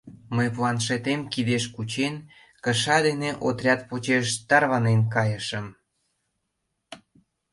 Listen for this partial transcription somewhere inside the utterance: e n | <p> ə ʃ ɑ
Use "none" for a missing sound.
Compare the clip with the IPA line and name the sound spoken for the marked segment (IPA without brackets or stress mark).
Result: k